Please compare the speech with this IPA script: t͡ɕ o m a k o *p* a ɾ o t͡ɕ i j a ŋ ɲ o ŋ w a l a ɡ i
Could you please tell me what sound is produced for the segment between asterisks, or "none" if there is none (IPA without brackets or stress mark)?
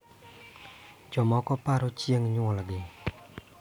p